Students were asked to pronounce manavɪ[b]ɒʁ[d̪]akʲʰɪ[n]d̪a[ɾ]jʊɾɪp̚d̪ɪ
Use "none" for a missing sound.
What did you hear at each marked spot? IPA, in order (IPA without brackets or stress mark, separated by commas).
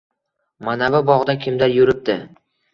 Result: b, d̪, m, ɾ